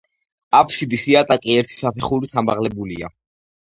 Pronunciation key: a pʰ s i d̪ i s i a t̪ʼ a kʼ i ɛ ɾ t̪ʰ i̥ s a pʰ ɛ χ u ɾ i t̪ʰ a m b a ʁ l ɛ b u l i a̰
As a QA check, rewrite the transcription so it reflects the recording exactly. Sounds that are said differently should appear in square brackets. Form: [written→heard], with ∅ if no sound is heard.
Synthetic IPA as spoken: a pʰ s i d̪ i s i a t̪ʼ a kʼ i ɛ ɾ t̪ʰ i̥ s a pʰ ɛ χ u ɾ i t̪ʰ a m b a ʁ l ɛ b u l i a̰